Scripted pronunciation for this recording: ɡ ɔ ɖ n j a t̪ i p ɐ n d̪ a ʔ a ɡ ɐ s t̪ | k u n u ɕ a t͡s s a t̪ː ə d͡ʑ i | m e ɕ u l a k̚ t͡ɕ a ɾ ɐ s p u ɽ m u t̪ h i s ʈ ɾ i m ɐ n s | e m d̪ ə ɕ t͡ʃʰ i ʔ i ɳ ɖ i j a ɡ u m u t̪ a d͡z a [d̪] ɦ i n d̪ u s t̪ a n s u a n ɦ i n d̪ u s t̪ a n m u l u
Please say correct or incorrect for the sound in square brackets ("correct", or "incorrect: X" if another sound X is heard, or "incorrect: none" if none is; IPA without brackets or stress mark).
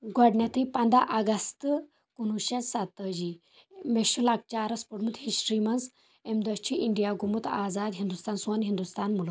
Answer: correct